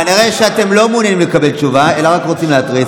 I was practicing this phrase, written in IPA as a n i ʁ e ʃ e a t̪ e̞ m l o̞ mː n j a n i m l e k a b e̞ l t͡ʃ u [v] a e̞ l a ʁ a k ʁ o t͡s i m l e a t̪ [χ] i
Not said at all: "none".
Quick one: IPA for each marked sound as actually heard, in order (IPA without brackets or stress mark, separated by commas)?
v, ʁ